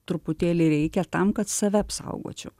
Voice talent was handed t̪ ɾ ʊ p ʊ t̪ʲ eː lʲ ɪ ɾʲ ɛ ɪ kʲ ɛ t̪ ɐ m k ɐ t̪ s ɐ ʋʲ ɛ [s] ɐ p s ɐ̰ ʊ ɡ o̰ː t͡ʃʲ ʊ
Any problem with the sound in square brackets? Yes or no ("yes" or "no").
yes